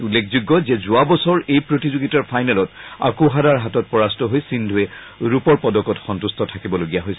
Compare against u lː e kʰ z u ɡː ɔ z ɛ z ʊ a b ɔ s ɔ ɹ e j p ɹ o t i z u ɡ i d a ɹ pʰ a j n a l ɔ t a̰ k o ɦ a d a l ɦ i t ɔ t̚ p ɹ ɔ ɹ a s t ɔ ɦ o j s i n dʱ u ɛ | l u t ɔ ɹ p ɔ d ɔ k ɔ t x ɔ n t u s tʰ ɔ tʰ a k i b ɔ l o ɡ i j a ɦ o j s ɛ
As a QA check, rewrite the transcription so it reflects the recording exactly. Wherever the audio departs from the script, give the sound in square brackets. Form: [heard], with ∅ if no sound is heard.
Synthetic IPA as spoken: u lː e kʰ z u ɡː ɔ z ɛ z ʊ a b ɔ s ɔ ɹ e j p ɹ o t i z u ɡ i [t] a ɹ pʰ a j n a l ɔ t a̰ k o ɦ a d a [ɹ] ɦ [a] t ɔ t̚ p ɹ ɔ ɹ a s t ɔ ɦ o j s i n dʱ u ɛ | [ɹ] u [p] ɔ ɹ p ɔ d ɔ k ɔ t x ɔ n t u s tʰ ɔ tʰ a k i b ɔ l o ɡ i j a ɦ o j s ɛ